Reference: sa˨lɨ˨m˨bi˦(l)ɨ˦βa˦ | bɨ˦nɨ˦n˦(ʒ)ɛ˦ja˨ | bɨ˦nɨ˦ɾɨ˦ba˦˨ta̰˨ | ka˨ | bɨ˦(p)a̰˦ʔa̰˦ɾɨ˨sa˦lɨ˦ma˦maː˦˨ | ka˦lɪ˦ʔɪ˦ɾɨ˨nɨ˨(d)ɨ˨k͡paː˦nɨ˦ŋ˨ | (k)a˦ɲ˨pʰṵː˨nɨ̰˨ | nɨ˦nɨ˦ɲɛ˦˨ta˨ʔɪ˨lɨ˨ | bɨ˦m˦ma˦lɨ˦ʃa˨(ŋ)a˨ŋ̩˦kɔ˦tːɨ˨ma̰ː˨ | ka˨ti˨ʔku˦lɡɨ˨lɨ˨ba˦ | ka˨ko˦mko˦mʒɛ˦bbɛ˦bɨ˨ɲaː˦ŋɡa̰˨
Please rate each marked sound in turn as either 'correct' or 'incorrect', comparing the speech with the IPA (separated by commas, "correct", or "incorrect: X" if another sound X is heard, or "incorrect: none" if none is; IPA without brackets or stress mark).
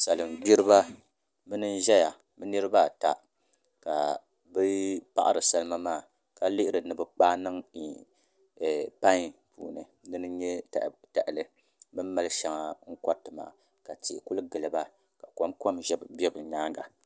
incorrect: ɾ, correct, correct, incorrect: b, incorrect: p, correct